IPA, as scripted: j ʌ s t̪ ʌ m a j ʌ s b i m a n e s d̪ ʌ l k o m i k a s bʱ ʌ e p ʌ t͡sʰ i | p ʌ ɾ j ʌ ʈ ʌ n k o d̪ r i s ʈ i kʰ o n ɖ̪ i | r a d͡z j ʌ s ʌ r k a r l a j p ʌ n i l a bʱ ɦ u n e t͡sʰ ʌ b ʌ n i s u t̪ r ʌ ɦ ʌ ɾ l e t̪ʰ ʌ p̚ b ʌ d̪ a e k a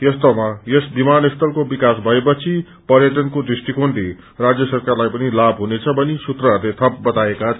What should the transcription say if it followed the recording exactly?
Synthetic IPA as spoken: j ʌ s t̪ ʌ m a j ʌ s b i m a n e s t̪ ʌ l k o b i k a s bʱ ʌ e p ʌ t͡sʰ i | p ʌ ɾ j ʌ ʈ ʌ n k o d̪ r i s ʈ i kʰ o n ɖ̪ i | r a d͡z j ʌ s ʌ r k a r l a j p ʌ n i l a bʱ ɦ u n e t͡sʰ ʌ b ʌ n i s u t̪ r ʌ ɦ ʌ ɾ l e t̪ʰ ʌ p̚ b ʌ t̪ a e k a